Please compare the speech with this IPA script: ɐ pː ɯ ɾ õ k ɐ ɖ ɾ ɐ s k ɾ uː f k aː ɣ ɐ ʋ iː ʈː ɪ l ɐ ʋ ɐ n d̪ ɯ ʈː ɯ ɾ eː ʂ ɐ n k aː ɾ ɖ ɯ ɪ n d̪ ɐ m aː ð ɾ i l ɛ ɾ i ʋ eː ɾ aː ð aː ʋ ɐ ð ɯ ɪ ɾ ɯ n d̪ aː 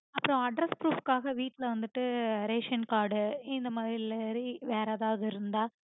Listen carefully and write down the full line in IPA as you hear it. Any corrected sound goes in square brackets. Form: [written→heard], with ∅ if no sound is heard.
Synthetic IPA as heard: ɐ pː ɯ ɾ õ [k→∅] ɐ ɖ ɾ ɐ s [k→p] ɾ uː f k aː ɣ ɐ ʋ iː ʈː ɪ l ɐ ʋ ɐ n d̪ ɯ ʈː ɯ ɾ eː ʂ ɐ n k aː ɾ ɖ ɯ ɪ n d̪ ɐ m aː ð ɾ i l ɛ ɾ i ʋ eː ɾ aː ð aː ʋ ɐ ð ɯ ɪ ɾ ɯ n d̪ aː